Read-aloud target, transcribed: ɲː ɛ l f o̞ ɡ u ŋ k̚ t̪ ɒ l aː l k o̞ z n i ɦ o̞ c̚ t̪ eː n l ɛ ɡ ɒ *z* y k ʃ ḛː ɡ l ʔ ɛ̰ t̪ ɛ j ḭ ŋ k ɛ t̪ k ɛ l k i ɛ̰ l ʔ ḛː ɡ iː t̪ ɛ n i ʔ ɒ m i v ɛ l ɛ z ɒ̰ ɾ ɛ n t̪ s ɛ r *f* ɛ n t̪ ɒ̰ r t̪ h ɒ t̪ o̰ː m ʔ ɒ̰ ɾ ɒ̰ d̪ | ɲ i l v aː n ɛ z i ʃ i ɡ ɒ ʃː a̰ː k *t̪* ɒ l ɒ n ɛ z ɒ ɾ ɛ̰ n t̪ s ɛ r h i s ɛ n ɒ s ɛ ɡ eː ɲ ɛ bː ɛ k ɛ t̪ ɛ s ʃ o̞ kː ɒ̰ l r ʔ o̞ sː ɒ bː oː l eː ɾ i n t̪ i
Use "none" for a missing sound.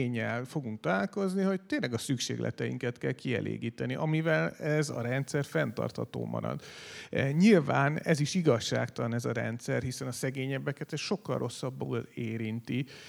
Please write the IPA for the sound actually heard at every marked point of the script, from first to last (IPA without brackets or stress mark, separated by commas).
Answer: s, f, t̪